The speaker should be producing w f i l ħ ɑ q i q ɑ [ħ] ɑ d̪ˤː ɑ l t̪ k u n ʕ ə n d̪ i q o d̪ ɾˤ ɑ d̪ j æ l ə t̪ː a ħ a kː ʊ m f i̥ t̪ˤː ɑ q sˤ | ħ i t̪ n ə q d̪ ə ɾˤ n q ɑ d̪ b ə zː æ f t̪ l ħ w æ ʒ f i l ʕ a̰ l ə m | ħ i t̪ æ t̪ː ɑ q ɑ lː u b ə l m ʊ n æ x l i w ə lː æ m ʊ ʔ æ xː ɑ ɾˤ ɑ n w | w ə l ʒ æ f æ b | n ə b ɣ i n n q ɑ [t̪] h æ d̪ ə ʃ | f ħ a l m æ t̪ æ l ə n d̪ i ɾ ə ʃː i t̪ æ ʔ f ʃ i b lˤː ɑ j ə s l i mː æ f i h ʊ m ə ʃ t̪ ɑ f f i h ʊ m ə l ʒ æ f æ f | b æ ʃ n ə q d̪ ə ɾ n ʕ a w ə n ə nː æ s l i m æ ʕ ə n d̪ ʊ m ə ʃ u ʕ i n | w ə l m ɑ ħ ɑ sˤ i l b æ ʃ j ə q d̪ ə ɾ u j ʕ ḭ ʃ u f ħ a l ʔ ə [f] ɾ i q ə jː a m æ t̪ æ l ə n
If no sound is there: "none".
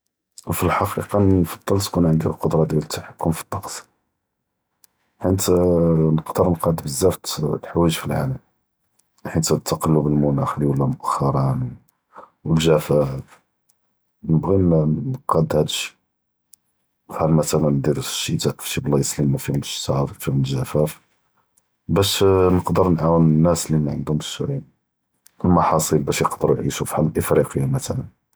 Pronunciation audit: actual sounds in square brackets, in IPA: f, d̪, f

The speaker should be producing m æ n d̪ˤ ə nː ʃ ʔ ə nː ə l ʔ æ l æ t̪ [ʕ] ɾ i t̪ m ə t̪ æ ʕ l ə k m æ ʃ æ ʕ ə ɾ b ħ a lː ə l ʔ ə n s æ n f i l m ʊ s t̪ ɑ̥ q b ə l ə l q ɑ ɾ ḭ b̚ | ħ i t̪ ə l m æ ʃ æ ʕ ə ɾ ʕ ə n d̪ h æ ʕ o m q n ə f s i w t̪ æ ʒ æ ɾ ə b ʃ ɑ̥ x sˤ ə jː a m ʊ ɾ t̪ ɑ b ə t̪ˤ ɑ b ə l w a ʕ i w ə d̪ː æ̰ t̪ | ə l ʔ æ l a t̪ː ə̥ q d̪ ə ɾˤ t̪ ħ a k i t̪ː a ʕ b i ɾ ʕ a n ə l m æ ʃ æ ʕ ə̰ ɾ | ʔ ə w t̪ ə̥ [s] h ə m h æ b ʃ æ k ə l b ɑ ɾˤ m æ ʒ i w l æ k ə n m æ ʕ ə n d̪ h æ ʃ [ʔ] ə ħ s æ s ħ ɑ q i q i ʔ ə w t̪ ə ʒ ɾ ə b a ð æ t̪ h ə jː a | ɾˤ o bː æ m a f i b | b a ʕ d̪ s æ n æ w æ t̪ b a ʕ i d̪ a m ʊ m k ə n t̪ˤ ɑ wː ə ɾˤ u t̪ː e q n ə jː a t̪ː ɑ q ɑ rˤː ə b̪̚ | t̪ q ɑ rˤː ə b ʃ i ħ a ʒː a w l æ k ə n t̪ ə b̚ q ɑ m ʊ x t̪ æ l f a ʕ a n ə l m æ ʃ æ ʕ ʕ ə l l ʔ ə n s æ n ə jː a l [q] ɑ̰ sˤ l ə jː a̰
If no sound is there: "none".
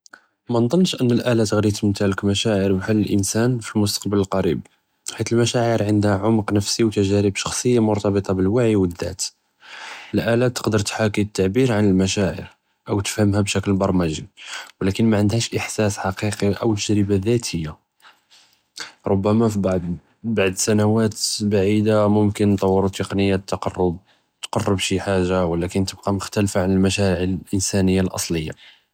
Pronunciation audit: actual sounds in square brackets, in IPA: ɣ, f, ʔ, ʔ

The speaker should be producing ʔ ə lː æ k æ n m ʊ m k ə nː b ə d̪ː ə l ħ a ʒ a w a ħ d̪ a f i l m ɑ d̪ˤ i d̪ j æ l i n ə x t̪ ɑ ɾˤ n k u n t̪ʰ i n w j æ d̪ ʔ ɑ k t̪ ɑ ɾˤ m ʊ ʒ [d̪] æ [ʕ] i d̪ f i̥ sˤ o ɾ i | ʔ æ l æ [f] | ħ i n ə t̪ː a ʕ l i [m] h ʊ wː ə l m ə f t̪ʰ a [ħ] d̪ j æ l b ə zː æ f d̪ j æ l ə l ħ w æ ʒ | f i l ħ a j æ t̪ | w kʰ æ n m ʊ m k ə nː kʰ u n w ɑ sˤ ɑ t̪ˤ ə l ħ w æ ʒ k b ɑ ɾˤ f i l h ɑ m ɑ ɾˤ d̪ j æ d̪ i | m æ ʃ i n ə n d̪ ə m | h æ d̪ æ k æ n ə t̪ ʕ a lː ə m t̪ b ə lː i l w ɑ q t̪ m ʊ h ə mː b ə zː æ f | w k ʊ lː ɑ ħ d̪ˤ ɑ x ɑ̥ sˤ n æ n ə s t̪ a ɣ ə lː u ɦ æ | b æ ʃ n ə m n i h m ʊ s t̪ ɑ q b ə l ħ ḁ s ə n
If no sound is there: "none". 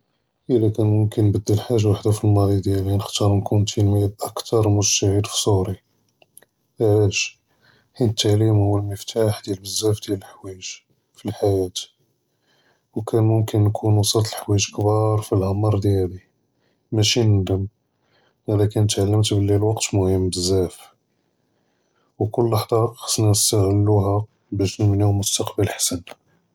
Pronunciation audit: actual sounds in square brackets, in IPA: t̪, ʕ, ʃ, m, ħ

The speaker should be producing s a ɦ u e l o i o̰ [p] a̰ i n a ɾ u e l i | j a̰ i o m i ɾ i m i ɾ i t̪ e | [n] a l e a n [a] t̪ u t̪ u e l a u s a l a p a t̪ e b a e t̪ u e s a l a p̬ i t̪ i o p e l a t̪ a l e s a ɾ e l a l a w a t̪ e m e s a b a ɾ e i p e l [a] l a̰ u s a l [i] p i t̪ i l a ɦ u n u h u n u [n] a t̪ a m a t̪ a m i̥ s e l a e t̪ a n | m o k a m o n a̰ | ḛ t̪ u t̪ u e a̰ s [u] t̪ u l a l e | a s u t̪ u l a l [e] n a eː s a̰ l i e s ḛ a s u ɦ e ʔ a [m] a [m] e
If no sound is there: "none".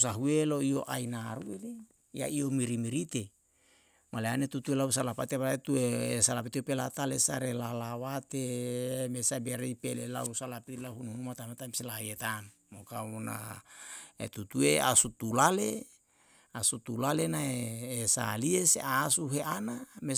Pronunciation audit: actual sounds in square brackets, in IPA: ʔ, m, e, e, a, m, u, e, n, m

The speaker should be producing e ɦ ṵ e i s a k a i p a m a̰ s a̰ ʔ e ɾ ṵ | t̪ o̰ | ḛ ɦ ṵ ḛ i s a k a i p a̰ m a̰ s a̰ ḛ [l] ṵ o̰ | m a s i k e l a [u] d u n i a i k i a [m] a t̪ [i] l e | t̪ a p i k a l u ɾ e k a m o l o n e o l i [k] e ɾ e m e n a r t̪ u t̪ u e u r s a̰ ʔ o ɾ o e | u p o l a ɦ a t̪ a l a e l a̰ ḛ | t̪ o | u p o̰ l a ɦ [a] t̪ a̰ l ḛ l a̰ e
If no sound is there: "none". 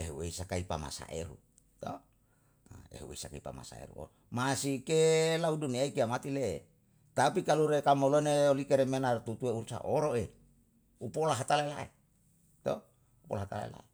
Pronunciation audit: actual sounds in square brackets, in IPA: ɾ, u, m, i, k, a

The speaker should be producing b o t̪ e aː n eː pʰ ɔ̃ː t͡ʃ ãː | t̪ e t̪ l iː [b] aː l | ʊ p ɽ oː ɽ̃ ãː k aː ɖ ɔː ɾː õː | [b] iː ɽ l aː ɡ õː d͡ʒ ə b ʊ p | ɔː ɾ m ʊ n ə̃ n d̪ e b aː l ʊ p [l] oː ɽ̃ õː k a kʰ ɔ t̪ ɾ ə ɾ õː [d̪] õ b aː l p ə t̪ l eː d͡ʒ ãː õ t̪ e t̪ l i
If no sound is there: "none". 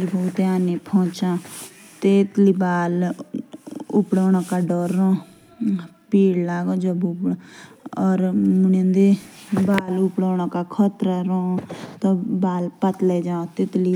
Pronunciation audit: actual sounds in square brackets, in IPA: b, p, ɽ, t̪

